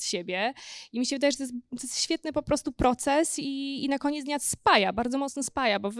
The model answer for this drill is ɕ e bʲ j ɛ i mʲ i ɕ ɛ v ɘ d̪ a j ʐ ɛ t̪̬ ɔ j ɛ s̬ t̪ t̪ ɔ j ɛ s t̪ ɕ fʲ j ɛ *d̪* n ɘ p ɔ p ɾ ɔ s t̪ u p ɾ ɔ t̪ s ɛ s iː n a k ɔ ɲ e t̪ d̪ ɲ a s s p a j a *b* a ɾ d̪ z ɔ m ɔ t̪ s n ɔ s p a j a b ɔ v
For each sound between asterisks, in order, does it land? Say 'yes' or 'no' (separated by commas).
no, yes